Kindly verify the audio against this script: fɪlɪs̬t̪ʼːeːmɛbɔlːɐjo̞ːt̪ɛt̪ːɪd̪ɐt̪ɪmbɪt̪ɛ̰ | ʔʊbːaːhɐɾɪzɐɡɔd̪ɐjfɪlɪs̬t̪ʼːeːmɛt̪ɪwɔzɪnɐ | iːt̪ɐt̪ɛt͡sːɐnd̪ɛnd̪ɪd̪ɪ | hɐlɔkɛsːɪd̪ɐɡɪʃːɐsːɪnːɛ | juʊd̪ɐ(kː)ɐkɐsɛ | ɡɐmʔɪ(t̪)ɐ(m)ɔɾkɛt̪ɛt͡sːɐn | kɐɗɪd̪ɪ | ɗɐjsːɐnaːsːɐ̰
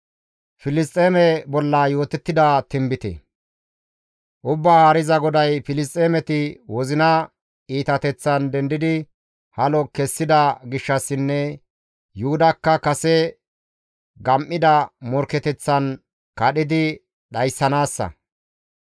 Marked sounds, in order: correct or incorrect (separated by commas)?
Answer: correct, incorrect, correct